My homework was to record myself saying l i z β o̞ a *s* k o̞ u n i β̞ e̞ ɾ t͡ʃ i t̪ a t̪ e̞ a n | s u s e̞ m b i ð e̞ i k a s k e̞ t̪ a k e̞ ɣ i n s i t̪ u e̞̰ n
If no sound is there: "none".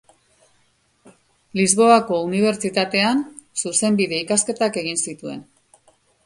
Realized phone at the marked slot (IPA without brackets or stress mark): none